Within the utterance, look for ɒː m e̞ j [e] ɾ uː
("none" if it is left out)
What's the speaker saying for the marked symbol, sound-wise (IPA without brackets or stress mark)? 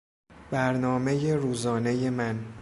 e